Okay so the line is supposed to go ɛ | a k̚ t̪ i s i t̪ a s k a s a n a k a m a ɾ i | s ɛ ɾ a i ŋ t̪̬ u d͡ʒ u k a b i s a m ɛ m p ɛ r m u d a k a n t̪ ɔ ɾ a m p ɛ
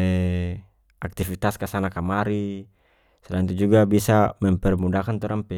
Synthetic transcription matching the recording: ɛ | a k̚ t̪ i f i t̪ a s k a s a n a k a m a ɾ i | s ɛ l a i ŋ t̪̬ u d͡ʒ u ɡ a b i s a m ɛ m p ɛ r m u d a k a n t̪ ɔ ɾ a m p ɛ